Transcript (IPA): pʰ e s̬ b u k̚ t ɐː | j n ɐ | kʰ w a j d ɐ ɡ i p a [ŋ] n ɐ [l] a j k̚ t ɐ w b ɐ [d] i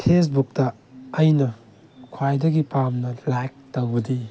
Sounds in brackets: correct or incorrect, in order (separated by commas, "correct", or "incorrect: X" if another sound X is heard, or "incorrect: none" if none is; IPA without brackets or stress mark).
incorrect: m, correct, correct